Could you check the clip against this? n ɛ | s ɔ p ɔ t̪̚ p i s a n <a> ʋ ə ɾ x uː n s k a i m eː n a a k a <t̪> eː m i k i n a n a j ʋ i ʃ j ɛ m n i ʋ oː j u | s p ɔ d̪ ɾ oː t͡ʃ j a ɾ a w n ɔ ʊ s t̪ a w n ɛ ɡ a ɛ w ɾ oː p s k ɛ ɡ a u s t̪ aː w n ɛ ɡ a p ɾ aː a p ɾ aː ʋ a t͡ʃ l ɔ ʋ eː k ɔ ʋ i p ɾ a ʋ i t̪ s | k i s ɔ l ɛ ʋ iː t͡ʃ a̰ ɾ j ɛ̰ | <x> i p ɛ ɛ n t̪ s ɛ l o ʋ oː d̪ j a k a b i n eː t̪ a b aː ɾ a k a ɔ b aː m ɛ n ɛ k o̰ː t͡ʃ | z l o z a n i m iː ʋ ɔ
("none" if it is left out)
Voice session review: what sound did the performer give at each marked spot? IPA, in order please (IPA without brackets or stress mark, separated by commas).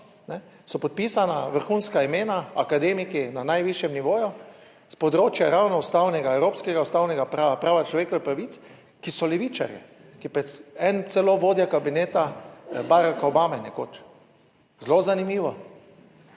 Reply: a, d̪, k